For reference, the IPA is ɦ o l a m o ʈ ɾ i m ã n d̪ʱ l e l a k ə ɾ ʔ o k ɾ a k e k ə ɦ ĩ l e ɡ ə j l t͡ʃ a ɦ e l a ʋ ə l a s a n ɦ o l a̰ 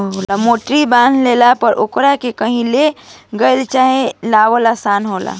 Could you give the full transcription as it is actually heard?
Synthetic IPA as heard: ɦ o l a m o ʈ ɾ i b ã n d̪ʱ l e l a p ə ɾ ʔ o k ɾ a k e k ə ɦ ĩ l e ɡ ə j l t͡ʃ a ɦ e l a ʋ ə l a s a n ɦ o l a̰